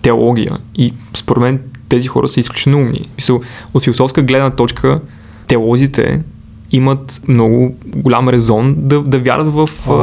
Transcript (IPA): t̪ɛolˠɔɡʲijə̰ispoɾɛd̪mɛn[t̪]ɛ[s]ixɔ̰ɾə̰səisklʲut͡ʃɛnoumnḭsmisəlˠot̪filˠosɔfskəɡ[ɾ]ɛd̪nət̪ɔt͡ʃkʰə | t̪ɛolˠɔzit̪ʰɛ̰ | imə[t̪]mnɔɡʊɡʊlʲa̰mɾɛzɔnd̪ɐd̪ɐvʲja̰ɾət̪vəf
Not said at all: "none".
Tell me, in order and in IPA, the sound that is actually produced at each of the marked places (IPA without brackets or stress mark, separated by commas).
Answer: t̪, z, l, t̪